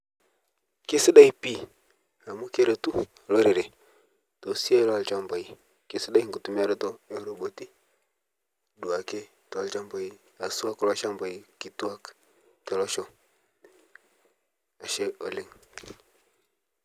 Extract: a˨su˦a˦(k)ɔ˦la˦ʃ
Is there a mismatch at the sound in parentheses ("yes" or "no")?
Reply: no